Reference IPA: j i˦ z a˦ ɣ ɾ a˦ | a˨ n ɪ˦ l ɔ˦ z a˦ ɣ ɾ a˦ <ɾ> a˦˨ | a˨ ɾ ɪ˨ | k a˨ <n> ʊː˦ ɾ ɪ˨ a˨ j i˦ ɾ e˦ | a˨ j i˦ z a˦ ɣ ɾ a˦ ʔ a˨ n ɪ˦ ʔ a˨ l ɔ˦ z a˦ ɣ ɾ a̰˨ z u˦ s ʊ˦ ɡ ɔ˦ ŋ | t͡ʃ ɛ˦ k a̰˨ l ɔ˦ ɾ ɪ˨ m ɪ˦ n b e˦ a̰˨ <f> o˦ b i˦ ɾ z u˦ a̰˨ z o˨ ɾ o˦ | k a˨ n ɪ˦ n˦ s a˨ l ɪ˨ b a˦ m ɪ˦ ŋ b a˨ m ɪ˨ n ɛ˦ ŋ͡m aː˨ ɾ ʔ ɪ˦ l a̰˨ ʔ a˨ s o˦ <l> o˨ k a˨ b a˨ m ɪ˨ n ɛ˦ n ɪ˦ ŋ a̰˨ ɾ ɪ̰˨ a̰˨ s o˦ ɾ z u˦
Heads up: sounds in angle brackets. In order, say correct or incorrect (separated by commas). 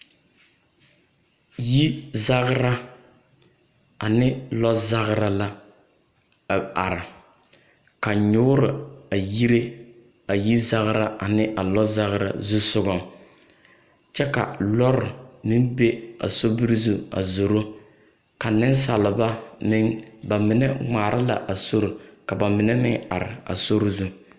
incorrect, incorrect, incorrect, incorrect